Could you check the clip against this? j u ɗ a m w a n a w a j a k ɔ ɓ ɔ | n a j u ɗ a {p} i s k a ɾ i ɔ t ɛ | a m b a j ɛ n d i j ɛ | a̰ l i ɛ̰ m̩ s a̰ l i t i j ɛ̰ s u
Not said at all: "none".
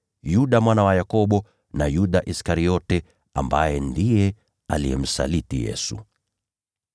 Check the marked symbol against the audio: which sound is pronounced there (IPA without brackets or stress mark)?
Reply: ʔ